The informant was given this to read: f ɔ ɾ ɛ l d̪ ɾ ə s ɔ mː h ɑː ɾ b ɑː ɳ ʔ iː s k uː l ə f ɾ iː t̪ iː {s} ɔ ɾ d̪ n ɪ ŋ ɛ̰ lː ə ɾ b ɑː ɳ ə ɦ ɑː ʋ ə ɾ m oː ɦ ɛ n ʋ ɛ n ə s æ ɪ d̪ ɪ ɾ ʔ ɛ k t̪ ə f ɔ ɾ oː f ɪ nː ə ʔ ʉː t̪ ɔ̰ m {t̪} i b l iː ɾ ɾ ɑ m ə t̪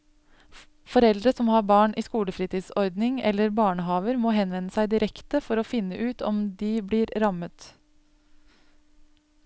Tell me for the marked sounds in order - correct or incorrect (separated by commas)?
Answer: correct, incorrect